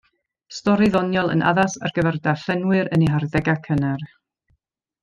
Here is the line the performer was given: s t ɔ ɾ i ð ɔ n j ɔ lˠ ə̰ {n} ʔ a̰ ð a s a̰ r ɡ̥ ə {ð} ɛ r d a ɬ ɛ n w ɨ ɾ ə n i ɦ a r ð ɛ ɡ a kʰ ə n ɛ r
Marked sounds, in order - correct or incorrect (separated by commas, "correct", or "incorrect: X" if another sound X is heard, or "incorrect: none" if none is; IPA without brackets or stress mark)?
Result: correct, incorrect: v